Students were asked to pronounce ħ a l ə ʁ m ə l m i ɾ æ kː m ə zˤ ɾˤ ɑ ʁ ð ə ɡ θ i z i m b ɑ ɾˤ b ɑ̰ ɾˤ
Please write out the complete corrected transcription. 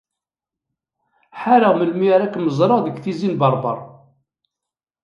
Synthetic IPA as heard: ħ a ɾ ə ʁ m ə l m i ɾ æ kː m ə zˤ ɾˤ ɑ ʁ ð ə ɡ θ i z i n b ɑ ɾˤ b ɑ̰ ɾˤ